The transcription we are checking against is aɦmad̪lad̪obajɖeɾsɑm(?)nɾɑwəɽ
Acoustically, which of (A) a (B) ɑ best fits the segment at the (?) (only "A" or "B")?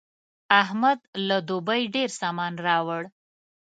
B